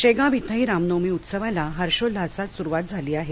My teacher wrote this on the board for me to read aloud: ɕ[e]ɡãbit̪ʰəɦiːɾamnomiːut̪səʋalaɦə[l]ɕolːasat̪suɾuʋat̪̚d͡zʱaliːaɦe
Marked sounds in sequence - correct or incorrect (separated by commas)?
correct, incorrect